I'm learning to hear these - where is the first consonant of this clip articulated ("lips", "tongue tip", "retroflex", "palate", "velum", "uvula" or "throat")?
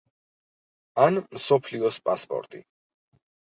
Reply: tongue tip